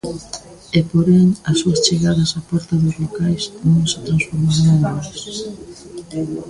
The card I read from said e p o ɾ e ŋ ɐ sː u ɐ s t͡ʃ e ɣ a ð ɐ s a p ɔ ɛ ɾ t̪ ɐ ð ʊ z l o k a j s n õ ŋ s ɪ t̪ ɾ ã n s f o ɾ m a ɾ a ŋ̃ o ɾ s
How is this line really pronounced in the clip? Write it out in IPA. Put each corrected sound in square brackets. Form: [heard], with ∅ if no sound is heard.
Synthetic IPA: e p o ɾ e ŋ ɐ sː u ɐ s t͡ʃ e ɣ a ð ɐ s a p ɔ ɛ ɾ t̪ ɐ ð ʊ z l o k a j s n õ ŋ s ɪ t̪ ɾ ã n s f o ɾ m a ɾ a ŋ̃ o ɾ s

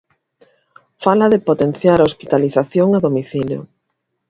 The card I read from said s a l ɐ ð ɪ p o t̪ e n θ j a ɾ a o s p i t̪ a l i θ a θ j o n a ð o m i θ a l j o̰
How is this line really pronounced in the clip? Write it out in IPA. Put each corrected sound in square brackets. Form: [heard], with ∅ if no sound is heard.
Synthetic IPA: [f] a l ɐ ð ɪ p o t̪ e n θ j a ɾ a o s p i t̪ a l i θ a θ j o [ŋ] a ð o m i θ [i] l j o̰

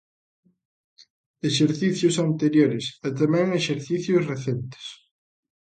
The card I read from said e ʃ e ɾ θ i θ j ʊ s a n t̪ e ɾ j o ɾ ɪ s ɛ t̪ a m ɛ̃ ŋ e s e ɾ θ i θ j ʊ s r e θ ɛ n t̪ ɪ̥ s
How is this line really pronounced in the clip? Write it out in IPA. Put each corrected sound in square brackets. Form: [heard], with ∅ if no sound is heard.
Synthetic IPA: e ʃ e ɾ θ i θ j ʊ s a n t̪ e ɾ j o ɾ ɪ s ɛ t̪ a m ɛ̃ ŋ e [ʃ] e ɾ θ i θ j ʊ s r e θ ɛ n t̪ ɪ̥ s

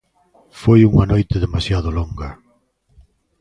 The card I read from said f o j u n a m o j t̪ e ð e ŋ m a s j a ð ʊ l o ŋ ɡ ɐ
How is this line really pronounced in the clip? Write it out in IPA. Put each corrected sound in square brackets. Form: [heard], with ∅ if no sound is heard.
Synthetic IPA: f o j u [ŋ] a [n] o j t̪ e ð e [∅] m a s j a ð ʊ l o ŋ ɡ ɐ

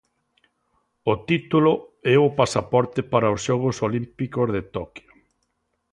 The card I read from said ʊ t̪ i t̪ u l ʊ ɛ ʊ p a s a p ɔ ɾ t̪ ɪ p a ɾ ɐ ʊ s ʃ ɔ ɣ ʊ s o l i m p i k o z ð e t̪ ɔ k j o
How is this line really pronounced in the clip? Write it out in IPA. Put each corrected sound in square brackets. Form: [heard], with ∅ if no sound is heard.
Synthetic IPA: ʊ t̪ i t̪ u l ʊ ɛ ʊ p a s a p ɔ ɾ t̪ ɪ p a ɾ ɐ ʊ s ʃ ɔ ɣ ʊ s o l i m p i k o z ð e t̪ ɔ k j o

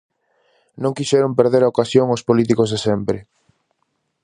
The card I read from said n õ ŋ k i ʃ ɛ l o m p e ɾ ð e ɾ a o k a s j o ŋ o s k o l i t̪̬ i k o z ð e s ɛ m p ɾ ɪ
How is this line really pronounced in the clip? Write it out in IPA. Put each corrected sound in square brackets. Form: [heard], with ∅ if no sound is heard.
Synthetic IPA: n õ ŋ k i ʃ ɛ [ɾ] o m p e ɾ ð e ɾ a o k a s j o ŋ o s [p] o l i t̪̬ i k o z ð e s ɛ m p ɾ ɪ

